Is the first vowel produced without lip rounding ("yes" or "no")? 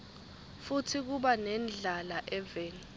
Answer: no